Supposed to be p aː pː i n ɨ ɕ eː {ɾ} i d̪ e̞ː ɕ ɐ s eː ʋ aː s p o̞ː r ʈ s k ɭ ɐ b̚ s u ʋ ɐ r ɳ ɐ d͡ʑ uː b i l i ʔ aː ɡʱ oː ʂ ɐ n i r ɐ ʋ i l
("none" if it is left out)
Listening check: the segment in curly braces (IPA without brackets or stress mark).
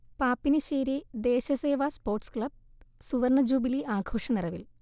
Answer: ɾ